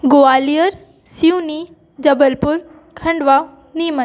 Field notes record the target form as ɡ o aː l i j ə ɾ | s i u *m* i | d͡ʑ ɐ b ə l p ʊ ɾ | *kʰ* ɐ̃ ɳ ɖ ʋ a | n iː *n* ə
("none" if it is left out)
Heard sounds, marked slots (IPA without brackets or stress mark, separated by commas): n, kʰ, m